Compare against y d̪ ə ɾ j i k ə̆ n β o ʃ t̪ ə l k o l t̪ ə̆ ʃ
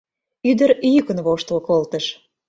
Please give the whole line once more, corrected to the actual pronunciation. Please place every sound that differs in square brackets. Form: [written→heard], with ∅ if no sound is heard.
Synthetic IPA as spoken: y d̪ ə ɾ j [i→y] k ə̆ n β o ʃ t̪ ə l k o l t̪ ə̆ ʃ